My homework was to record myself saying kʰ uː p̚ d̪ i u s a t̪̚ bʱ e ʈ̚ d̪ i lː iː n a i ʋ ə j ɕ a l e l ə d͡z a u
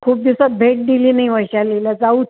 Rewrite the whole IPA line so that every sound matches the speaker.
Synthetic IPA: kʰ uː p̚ d̪ i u s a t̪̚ bʱ e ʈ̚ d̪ i l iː n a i ʋ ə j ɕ a l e l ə d͡z a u